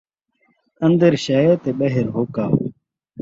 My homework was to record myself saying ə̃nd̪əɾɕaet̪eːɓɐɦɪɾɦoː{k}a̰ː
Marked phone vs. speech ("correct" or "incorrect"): correct